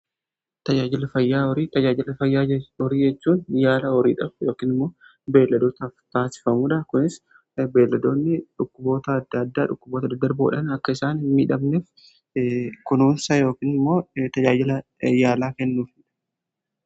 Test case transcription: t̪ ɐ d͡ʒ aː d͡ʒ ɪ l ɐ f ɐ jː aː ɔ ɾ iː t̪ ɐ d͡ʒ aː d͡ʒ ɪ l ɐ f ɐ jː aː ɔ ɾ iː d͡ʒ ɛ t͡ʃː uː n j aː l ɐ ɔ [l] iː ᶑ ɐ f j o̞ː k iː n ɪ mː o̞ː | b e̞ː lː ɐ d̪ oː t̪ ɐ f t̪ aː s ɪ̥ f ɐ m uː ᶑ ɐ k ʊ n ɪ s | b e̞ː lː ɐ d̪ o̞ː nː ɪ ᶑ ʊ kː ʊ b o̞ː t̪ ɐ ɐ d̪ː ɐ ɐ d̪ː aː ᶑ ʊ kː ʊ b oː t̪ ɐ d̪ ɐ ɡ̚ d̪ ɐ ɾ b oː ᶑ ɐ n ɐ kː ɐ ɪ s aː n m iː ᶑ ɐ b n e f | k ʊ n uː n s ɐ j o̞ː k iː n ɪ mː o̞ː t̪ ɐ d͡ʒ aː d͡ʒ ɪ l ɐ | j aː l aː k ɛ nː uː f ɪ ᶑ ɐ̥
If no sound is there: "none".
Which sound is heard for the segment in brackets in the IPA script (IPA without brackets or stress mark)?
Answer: ɾ